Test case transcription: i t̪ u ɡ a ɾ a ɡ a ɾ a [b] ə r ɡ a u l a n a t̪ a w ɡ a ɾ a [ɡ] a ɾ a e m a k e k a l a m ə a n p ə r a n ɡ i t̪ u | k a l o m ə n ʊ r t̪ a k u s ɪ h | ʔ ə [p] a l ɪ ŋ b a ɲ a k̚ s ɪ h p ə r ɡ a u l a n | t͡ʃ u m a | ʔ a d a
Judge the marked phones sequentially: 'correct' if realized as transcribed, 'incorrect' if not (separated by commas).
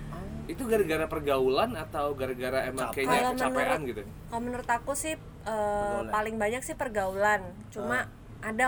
incorrect, correct, correct